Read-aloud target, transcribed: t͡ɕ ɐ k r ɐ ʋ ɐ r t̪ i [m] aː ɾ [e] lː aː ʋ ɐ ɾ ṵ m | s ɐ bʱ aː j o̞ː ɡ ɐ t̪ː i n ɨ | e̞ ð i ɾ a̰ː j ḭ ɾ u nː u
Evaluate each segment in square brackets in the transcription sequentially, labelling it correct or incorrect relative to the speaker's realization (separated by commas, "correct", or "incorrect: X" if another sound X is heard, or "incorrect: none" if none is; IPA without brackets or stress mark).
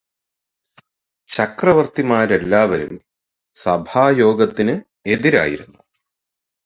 correct, correct